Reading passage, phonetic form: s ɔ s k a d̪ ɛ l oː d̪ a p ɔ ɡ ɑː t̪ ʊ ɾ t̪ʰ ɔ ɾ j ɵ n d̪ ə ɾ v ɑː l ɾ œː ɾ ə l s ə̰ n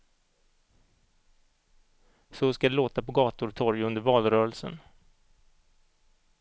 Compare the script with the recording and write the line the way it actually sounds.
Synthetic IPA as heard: s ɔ s k a d̪ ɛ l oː t̪ a p ɔ ɡ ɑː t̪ ʊ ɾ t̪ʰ ɔ ɾ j ɵ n d̪ ə ɾ v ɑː l ɾ œː ɾ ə l s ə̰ n

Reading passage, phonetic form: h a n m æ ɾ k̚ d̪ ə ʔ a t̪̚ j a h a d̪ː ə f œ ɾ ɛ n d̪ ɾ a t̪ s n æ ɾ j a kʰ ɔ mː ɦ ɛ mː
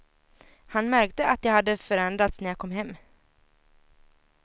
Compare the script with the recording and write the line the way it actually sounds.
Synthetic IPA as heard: h a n m æ ɾ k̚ t̪ ə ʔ a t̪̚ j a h a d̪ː ə f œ ɾ ɛ n d̪ ɾ a t̪ s n æ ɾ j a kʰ ɔ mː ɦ ɛ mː

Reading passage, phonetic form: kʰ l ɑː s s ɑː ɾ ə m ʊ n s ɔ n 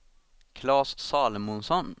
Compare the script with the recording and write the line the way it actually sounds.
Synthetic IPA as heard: kʰ l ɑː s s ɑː l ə m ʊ n s ɔ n

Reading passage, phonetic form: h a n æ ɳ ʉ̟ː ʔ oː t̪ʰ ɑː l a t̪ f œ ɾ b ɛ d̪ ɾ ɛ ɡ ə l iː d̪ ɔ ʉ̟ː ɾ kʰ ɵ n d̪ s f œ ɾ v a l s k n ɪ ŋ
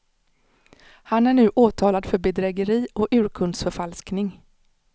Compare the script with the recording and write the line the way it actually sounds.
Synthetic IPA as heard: h a n æ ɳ ʉ̟ː ʔ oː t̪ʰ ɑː l a d̪ f œ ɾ b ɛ d̪ ɾ ɛ ɡ ə ɾ iː ɔ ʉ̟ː ɾ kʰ ɵ n d̪ s f œ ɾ f a l s k n ɪ ŋ

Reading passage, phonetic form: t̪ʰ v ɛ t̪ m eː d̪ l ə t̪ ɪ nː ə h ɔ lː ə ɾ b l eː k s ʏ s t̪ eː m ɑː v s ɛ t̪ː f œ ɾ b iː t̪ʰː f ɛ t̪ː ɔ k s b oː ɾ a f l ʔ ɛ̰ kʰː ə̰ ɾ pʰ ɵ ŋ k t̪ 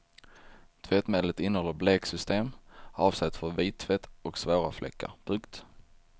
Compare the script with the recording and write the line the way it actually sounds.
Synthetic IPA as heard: t̪ʰ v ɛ t̪ m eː d̪ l ə t̪ ɪ nː ə h ɔ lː ə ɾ b l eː k s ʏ s t̪ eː m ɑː v s ɛ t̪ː f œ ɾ v iː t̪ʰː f ɛ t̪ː ɔ k s v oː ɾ a f l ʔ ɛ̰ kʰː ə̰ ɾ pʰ ɵ ŋ k t̪

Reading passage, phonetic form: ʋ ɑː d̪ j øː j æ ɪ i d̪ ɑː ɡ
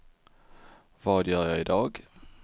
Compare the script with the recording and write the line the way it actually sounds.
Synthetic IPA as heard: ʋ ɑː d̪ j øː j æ ɪ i d̪ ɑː ɡ

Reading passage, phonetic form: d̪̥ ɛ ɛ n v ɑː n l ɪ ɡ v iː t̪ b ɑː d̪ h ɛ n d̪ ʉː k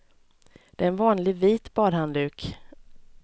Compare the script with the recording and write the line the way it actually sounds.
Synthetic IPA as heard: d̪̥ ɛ ɛ n v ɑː n l ɪ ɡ v iː t̪ b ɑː d̪ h a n d̪ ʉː k

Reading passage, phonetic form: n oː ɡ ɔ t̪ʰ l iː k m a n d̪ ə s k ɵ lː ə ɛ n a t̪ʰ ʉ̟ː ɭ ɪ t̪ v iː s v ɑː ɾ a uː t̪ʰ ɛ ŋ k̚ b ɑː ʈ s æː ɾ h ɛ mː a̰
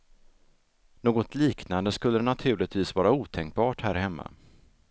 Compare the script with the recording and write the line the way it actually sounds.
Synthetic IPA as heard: n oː ɡ ɔ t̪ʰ l iː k n a n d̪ ə s k ɵ lː ə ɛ n a t̪ʰ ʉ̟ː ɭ ɪ t̪ v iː s v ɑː ɾ a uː t̪ʰ ɛ ŋ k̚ b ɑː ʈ h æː ɾ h ɛ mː a̰

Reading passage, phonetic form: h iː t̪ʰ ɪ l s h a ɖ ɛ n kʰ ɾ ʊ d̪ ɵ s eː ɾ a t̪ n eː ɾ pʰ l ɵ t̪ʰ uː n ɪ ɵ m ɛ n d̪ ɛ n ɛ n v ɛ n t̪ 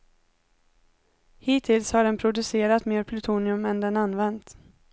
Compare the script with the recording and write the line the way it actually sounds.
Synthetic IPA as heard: h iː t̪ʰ ɪ l s h a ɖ ɛ n pʰ ɾ ʊ d̪ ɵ s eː ɾ a t̪ m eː ɾ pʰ l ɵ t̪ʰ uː n ɪ ɵ m ɛ n d̪ ɛ n a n v ɛ n t̪

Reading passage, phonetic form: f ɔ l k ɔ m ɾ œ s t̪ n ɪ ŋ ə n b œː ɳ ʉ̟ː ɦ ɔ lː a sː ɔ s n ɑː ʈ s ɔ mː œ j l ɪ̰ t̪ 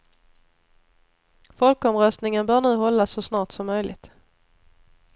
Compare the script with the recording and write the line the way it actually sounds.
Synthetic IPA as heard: f ɔ l k ɔ m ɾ œ s t̪ n ɪ ŋ ə n b œː ɳ ʉ̟ː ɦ ɔ lː a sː ɔ s n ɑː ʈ s ɔ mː œ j l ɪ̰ t̪

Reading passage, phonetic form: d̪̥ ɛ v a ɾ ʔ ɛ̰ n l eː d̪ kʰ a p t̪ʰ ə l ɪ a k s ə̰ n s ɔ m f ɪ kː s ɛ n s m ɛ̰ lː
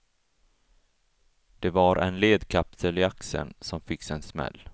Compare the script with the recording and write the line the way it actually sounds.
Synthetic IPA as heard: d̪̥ ɛ v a ɾ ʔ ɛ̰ n l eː d̪ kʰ a p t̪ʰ ə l ɪ a k s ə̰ n s ɔ m f ɪ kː s ɛ n s m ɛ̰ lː

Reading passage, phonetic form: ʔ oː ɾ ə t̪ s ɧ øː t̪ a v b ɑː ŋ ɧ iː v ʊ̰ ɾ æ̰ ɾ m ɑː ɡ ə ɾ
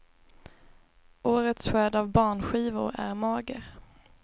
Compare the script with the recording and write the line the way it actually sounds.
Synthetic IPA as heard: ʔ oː ɾ ə t̪ s ɧ øː d̪ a v b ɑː ɳ ɧ iː v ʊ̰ ɾ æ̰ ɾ m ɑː ɡ ə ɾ

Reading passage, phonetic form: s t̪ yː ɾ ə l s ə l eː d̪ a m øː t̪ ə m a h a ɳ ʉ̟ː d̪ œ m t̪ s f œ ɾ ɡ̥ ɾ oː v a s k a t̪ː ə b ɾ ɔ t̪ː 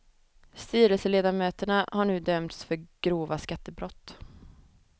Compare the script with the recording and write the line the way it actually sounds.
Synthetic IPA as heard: s t̪ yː ɾ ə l s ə l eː d̪ a m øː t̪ ə ɳ a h a ɳ ʉ̟ː d̪ œ m t̪ s f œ ɾ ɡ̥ ɾ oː v a s k a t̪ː ə b ɾ ɔ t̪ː

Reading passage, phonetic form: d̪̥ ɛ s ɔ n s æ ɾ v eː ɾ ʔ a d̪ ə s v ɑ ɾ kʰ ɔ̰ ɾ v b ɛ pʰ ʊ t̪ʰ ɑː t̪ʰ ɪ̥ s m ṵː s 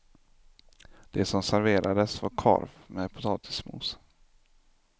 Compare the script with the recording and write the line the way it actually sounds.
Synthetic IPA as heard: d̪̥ ɛ s ɔ m s æ ɾ v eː ɾ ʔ a d̪ ə s v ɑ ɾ kʰ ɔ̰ ɾ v m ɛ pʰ ʊ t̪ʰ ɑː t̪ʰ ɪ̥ s m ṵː s

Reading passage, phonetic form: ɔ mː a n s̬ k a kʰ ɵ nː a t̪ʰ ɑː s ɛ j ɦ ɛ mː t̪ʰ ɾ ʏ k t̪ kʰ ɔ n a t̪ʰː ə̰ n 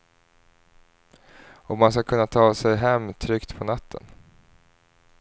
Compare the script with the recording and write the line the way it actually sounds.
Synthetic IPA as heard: ɔ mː a n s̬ k a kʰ ɵ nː a t̪ʰ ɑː s ɛ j ɦ ɛ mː t̪ʰ ɾ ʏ k t̪ pʰ ɔ n a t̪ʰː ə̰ n

